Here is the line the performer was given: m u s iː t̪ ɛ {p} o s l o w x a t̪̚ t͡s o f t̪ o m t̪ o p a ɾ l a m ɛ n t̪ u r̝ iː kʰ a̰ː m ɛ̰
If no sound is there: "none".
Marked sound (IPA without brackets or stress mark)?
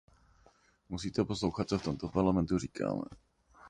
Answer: p